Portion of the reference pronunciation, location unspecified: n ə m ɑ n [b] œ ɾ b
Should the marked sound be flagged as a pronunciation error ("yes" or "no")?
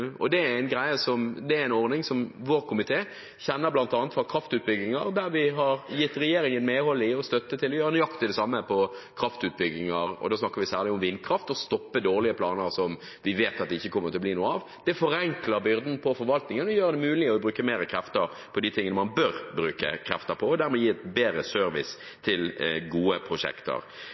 no